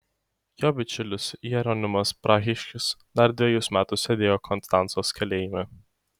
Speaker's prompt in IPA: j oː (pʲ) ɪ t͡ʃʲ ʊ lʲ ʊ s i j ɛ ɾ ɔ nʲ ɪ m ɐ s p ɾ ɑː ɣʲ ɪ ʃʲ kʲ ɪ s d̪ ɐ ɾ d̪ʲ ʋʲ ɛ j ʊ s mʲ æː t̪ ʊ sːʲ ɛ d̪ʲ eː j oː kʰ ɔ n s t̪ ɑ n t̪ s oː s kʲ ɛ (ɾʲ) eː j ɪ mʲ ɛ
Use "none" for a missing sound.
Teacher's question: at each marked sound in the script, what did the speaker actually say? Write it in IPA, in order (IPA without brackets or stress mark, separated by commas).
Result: bʲ, lʲ